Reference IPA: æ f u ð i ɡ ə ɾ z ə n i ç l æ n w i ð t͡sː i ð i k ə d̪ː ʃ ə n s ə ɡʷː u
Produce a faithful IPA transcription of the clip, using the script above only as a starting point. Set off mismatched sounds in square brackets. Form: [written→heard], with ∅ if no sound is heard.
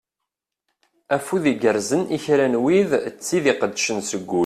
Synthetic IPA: æ f u ð i ɡ ə ɾ z ə n i ç [l→ɾ] æ n w i ð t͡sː i ð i [k→q] ə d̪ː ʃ ə n s ə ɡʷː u

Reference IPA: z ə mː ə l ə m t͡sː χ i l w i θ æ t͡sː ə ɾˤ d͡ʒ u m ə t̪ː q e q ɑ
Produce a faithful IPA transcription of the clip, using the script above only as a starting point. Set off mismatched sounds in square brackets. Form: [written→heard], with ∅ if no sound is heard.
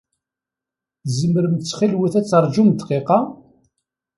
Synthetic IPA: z ə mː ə [l→ɾ] ə m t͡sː χ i l w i θ æ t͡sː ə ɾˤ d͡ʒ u m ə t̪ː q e q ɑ

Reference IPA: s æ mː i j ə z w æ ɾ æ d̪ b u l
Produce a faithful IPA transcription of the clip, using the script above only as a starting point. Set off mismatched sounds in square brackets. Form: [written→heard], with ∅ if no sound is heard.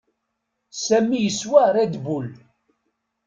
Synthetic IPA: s æ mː i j ə [z→s] w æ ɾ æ d̪ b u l

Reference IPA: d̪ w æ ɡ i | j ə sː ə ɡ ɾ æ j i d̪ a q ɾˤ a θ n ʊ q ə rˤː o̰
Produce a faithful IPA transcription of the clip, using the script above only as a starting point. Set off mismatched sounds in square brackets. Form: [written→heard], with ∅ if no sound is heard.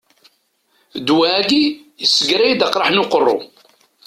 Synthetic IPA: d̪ w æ ɡ i | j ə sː ə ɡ ɾ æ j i d̪ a q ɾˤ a [θ→ħ] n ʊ q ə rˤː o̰

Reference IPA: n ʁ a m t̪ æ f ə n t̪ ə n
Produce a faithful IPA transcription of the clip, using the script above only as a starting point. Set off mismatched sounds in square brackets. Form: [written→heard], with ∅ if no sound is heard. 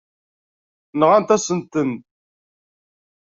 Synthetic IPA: n ʁ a [m→n] t̪ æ [f→s] ə n t̪ ə n

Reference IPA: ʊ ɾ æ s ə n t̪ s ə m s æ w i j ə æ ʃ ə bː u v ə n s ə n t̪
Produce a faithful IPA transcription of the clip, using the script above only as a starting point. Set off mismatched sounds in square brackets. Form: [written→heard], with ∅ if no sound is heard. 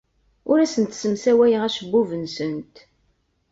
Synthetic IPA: ʊ ɾ æ s ə n t̪ s ə m s æ w [i→æ] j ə æ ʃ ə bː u v ə n s ə n t̪

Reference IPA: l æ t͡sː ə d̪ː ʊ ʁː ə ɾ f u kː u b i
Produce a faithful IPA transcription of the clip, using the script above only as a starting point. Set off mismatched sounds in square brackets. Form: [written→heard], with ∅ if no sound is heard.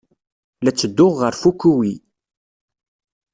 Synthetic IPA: l æ t͡sː ə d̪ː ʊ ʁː ə ɾ f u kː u [b→w] i

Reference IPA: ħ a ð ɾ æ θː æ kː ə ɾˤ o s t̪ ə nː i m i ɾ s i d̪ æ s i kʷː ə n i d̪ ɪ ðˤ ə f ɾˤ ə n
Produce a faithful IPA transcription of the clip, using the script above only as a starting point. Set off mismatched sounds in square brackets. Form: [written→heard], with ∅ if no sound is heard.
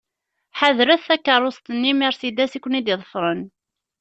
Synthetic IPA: ħ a ð ɾ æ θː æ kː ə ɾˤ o s t̪ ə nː i m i ɾ s i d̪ æ s i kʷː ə n i d̪ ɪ ðˤ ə f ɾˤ ə n

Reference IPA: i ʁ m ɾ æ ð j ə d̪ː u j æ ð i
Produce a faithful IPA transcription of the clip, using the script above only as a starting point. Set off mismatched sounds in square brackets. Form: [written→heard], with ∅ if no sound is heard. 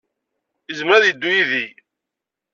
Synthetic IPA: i [ʁ→z] m ɾ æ ð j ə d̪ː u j [æ→i] ð i

